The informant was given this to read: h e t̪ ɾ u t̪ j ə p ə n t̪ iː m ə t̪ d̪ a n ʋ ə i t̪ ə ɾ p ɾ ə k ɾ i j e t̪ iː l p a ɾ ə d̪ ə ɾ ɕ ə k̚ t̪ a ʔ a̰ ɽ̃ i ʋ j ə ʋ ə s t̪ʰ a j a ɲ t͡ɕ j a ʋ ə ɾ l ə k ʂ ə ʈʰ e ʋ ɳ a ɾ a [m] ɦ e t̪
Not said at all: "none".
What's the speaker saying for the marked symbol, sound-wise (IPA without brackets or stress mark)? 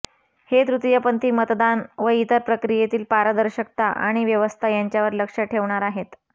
none